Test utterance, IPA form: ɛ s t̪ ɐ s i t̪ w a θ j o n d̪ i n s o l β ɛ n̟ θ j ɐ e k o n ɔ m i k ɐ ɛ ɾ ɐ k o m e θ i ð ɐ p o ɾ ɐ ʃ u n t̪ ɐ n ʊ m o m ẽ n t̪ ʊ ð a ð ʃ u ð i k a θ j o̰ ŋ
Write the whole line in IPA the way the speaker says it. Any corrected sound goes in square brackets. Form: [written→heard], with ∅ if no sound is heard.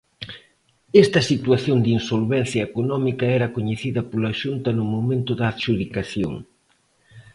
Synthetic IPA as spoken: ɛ s t̪ ɐ s i t̪ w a θ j o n d̪ i n s o l β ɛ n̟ θ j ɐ e k o n ɔ m i k ɐ ɛ ɾ ɐ k o [m→ɲ] e θ i ð ɐ p o [ɾ→l] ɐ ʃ u n t̪ ɐ n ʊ m o m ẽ n t̪ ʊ ð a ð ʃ u ð i k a θ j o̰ ŋ